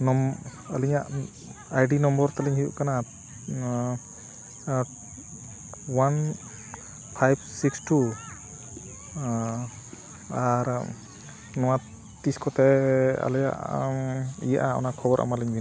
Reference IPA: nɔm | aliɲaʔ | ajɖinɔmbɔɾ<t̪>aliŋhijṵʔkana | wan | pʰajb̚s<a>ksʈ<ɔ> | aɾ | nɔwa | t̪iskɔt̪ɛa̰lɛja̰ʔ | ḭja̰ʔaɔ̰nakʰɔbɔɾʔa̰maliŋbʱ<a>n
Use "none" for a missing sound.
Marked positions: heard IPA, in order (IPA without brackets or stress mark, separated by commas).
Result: t̪, i, u, i